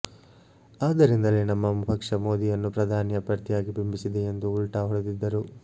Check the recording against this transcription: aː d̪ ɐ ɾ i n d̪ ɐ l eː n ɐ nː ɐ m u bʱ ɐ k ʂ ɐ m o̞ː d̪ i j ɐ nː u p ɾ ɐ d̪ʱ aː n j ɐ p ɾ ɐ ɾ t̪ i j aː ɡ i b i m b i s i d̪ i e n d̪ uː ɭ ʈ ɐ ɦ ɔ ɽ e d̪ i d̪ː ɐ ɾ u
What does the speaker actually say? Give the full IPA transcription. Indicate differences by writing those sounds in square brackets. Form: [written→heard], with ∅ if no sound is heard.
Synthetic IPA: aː d̪ ɐ ɾ i n d̪ ɐ l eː n ɐ [nː→mː] ɐ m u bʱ ɐ k ʂ ɐ m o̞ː d̪ i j ɐ nː u p ɾ ɐ d̪ʱ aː n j ɐ p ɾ ɐ ɾ t̪ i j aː ɡ i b i m b i s i d̪ [i→e] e n d̪ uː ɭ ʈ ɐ ɦ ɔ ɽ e d̪ i d̪ː ɐ ɾ u

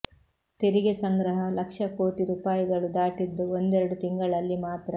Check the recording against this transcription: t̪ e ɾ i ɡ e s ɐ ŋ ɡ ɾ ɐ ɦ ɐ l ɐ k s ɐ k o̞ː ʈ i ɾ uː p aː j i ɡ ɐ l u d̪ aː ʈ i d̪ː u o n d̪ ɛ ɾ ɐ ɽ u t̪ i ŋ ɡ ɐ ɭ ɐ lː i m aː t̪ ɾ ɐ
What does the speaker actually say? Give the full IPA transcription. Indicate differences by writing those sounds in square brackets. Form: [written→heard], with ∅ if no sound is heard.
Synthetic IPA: t̪ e ɾ i ɡ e s ɐ ŋ ɡ ɾ ɐ ɦ ɐ l ɐ k [s→ʂ] ɐ k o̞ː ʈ i ɾ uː p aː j i ɡ ɐ [l→ɭ] u d̪ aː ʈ i d̪ː u o n d̪ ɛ ɾ ɐ ɽ u t̪ i ŋ ɡ ɐ ɭ ɐ lː i m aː t̪ ɾ ɐ

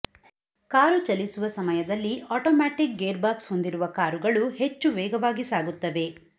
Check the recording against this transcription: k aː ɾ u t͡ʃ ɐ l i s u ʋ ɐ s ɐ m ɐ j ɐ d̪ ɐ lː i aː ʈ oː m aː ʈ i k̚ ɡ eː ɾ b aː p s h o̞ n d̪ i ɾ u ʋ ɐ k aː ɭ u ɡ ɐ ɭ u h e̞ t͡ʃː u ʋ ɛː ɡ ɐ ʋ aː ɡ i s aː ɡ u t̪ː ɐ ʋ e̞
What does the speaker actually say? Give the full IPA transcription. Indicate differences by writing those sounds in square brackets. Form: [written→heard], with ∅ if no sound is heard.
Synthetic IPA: k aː ɾ u t͡ʃ ɐ l i s u ʋ ɐ s ɐ m ɐ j ɐ d̪ ɐ lː i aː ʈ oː m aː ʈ i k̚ ɡ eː ɾ b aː [p→k] s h o̞ n d̪ i ɾ u ʋ ɐ k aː [ɭ→ɾ] u ɡ ɐ ɭ u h e̞ t͡ʃː u ʋ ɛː ɡ ɐ ʋ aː ɡ i s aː ɡ u t̪ː ɐ ʋ e̞

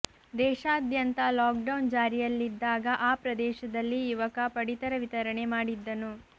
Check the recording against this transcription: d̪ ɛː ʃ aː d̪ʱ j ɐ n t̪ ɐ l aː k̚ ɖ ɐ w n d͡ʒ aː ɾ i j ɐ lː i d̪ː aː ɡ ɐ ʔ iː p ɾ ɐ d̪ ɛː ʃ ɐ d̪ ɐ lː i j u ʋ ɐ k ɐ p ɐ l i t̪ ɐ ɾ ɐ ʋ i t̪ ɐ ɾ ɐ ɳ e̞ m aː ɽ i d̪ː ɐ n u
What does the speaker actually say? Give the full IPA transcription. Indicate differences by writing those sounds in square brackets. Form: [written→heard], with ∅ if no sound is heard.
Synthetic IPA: d̪ ɛː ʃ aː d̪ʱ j ɐ n t̪ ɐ l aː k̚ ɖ ɐ w n d͡ʒ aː ɾ i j ɐ lː i d̪ː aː ɡ ɐ ʔ [iː→aː] p ɾ ɐ d̪ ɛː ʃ ɐ d̪ ɐ lː i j u ʋ ɐ k ɐ p ɐ [l→ɽ] i t̪ ɐ ɾ ɐ ʋ i t̪ ɐ ɾ ɐ ɳ e̞ m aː ɽ i d̪ː ɐ n u

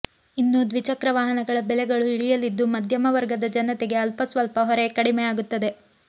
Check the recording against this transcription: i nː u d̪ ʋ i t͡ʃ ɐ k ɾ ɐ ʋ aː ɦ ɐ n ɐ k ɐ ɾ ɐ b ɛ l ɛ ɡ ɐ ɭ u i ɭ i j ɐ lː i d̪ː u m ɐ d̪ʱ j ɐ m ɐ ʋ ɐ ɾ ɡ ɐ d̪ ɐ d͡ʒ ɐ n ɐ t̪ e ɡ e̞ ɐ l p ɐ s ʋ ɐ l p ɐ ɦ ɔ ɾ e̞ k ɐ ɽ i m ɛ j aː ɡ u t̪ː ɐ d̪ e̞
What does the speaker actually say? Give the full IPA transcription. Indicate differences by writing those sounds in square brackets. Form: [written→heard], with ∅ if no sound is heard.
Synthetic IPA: i nː u d̪ ʋ i t͡ʃ ɐ k ɾ ɐ ʋ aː ɦ ɐ n ɐ [k→ɡ] ɐ [ɾ→ɭ] ɐ b ɛ l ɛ ɡ ɐ ɭ u i ɭ i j ɐ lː i d̪ː u m ɐ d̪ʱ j ɐ m ɐ ʋ ɐ ɾ ɡ ɐ d̪ ɐ d͡ʒ ɐ n ɐ t̪ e ɡ e̞ ɐ l p ɐ s ʋ ɐ l p ɐ ɦ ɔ ɾ e̞ k ɐ ɽ i m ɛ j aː ɡ u t̪ː ɐ d̪ e̞

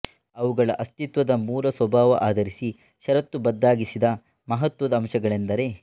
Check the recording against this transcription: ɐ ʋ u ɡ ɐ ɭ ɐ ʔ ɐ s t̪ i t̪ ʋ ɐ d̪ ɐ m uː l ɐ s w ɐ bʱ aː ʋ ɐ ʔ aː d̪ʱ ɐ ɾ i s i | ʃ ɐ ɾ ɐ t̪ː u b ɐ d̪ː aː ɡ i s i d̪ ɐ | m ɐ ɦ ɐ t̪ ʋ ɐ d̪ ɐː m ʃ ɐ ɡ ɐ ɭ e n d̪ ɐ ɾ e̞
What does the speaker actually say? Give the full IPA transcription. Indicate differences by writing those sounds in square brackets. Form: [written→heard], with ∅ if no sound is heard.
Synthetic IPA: ɐ ʋ u ɡ ɐ ɭ ɐ ʔ ɐ s t̪ i t̪ ʋ ɐ d̪ ɐ m uː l ɐ s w ɐ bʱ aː ʋ ɐ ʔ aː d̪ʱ ɐ ɾ i s i | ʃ ɐ ɾ ɐ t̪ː u b ɐ d̪ː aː ɡ i s i d̪ ɐ | m ɐ ɦ ɐ t̪ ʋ ɐ d̪ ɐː m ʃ ɐ ɡ ɐ ɭ e n d̪ ɐ ɾ e̞

